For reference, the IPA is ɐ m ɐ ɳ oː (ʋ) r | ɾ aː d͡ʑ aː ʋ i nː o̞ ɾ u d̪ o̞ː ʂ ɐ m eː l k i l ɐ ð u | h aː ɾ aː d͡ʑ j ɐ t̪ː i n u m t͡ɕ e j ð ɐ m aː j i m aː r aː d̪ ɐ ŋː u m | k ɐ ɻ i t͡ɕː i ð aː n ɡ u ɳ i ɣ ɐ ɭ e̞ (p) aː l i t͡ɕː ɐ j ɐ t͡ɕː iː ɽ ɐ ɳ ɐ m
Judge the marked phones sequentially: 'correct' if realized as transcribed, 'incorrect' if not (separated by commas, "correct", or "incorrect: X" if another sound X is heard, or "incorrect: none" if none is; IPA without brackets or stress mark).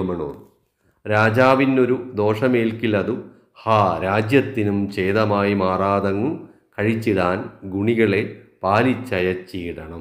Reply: incorrect: none, correct